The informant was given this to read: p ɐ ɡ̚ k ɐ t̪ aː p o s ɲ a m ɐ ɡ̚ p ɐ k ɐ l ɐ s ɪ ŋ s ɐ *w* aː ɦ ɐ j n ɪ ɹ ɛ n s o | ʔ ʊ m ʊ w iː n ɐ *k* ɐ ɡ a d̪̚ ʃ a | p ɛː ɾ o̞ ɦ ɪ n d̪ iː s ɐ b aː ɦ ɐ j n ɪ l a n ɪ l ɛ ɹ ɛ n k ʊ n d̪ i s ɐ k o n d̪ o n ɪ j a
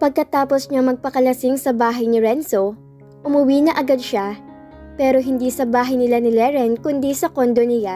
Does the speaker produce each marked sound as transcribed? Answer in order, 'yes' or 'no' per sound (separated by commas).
no, no